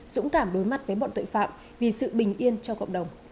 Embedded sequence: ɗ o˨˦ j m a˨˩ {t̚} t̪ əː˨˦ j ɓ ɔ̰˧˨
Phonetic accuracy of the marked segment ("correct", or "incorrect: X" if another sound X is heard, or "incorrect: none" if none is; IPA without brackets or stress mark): correct